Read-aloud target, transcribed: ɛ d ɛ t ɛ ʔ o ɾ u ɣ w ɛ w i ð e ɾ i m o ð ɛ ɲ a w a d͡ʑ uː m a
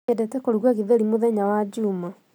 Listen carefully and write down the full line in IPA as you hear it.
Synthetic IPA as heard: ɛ d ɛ t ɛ k o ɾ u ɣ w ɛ ɣ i ð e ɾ i m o ð ɛ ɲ a w a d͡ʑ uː m a